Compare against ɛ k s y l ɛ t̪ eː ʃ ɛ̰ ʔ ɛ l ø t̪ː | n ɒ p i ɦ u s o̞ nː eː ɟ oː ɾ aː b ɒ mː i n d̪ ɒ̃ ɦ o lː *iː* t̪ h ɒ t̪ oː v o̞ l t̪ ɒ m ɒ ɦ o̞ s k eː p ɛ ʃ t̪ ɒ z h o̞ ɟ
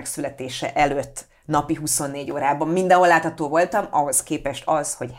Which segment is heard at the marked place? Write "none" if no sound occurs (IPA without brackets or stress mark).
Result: aː